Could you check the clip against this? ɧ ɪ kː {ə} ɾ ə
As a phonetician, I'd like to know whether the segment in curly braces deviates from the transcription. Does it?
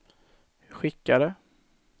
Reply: yes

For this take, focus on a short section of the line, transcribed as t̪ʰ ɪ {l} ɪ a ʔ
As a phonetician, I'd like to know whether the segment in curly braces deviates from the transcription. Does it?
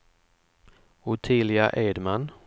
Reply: no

